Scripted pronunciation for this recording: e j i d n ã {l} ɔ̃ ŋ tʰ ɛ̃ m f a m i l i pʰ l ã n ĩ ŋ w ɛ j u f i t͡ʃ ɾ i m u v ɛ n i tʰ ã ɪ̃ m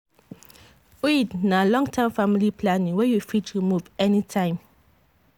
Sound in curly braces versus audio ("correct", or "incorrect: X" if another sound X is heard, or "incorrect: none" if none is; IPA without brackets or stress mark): correct